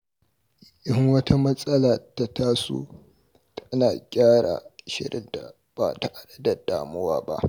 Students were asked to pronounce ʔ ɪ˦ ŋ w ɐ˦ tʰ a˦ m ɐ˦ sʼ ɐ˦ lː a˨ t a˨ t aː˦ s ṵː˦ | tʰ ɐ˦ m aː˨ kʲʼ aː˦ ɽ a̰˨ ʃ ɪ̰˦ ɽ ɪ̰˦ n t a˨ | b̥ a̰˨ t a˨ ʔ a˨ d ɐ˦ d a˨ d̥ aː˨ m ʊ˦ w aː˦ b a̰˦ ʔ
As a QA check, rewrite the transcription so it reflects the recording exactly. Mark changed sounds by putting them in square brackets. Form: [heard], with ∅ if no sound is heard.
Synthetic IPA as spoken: ʔ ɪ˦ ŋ w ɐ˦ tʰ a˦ m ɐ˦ sʼ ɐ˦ [l] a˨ t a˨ t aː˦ s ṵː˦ | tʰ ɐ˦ [n] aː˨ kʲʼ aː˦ ɽ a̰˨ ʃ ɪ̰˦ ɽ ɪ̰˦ n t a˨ | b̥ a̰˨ t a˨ ʔ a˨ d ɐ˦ d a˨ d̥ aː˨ m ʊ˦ w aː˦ b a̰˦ ʔ